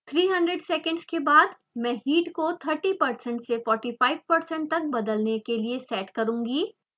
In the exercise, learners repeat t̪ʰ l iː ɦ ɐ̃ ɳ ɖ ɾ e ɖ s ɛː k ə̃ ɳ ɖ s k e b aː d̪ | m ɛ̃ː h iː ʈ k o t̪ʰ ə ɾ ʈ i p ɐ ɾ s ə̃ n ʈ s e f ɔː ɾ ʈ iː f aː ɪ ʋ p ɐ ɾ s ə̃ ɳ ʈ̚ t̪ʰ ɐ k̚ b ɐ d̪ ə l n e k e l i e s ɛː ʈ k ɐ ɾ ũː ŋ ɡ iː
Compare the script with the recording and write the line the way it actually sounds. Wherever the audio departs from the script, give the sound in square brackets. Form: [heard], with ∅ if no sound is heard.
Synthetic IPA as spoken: t̪ʰ [ɾ] iː ɦ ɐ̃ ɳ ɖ ɾ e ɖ s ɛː k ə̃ ɳ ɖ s k e b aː d̪ | m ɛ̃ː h iː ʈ k o t̪ʰ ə ɾ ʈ i p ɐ ɾ s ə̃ [ɳ] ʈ s e f ɔː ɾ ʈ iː f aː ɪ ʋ p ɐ ɾ s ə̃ ɳ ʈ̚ [t̪] ɐ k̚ b ɐ d̪ ə l n e k e l i e s ɛː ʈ k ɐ ɾ ũː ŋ ɡ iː